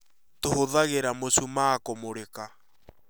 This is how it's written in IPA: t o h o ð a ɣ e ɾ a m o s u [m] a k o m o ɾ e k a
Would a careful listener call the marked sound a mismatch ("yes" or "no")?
no